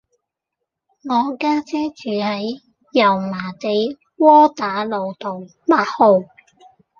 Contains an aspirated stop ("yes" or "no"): no